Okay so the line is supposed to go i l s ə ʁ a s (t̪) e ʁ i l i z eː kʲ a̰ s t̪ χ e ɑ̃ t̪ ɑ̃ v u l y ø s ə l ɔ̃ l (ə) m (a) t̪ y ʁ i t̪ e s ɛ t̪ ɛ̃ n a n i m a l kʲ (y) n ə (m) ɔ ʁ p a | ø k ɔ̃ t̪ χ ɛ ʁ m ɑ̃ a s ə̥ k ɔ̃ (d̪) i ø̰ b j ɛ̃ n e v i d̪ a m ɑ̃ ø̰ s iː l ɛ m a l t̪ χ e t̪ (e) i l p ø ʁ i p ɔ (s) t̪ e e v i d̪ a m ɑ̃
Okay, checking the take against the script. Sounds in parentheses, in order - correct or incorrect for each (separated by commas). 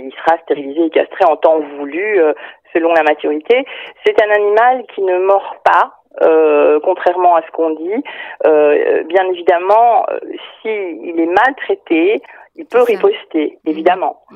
correct, incorrect, correct, incorrect, correct, correct, correct, correct